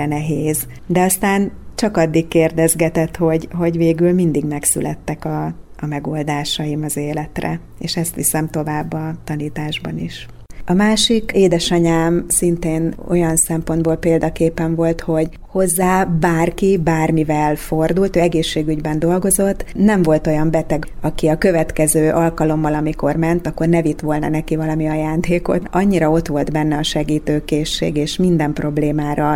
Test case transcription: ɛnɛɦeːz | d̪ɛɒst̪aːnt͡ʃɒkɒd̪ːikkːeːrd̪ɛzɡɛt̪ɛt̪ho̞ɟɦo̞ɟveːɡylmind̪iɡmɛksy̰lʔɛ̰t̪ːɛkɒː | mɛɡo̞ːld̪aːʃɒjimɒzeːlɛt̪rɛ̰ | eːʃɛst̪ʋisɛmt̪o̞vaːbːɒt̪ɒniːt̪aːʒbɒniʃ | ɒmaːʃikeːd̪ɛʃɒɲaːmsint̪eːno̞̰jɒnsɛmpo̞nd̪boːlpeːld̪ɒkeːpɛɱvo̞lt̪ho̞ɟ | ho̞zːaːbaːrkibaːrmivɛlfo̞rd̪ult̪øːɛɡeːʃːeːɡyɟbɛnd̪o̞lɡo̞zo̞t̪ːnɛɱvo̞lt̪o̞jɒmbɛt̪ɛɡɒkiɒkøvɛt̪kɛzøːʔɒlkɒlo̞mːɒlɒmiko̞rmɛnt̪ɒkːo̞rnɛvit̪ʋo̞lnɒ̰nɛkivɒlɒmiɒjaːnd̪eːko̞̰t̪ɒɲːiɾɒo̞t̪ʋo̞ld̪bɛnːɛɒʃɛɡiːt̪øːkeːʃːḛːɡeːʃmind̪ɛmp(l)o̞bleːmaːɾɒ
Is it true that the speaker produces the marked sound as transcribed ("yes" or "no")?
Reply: no